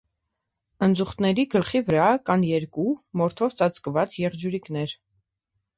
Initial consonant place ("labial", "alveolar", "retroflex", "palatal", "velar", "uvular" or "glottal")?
alveolar